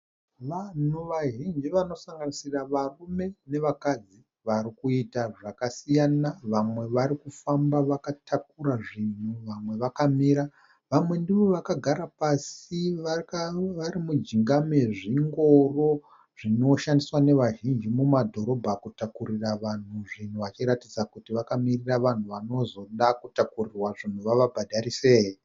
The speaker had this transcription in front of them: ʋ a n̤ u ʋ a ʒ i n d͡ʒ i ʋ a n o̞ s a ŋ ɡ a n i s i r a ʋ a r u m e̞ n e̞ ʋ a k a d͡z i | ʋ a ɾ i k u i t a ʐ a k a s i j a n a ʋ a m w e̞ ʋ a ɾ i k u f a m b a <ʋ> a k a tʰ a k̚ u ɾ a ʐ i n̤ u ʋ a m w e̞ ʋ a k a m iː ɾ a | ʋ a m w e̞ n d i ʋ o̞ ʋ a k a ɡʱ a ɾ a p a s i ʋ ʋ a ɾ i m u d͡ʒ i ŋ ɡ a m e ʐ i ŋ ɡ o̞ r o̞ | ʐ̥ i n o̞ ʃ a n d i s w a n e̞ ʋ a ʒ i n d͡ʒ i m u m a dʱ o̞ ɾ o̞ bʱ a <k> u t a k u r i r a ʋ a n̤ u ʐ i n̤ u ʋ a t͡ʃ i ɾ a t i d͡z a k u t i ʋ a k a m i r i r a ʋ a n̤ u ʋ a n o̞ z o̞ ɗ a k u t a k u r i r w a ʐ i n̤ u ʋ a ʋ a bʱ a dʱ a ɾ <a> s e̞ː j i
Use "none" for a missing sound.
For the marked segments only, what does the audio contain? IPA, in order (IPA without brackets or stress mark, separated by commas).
ʋ, k, i